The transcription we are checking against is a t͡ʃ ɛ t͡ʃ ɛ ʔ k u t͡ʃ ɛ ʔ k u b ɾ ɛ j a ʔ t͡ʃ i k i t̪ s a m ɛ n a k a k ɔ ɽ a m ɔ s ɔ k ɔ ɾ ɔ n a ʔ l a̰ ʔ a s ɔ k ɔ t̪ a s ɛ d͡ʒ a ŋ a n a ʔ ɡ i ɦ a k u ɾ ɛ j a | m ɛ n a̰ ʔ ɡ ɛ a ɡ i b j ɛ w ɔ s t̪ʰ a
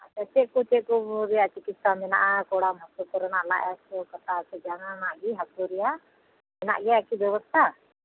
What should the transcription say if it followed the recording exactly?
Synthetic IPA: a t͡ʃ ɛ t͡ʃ ɛ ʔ k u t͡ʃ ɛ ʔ k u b ɾ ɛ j a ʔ t͡ʃ i k i t̪ s a m ɛ n a ʔ a k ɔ ɽ a m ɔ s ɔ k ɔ ɾ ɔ n a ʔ l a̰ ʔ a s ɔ k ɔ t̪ a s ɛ d͡ʒ a ŋ a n a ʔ ɡ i ɦ a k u ɾ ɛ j a | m ɛ n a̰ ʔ ɡ ɛ a k i b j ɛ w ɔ s t̪ʰ a